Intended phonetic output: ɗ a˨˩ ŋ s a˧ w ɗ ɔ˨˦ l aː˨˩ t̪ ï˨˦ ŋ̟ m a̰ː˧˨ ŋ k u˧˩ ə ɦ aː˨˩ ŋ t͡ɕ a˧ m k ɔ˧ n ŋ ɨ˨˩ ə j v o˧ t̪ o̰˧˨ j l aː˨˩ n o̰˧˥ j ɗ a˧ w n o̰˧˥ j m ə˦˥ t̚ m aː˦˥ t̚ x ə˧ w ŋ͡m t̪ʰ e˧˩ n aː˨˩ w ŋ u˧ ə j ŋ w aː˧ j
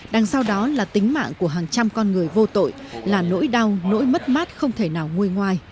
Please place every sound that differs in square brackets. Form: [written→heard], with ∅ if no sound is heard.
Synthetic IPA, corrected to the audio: ɗ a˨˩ ŋ s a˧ w ɗ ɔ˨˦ l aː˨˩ t̪ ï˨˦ ŋ̟ m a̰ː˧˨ ŋ k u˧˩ ə ɦ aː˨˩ ŋ t͡ɕ a˧ m k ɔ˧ n ŋ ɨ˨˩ ə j v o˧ t̪ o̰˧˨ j l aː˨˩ n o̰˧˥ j ɗ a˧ w n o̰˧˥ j m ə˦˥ t̚ m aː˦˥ t̚ x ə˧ w ŋ͡m t̪ʰ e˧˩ n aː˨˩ w ŋ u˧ ə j ŋ w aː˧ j